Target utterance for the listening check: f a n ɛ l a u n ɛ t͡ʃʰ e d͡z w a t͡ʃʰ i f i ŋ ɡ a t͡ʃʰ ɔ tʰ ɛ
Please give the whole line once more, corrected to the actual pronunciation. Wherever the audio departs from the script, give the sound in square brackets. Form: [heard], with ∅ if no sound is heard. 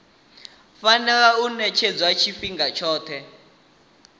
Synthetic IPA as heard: f a n ɛ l a u n ɛ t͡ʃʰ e d͡z w a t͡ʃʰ i f i ŋ ɡ a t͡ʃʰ [ɔː] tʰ ɛ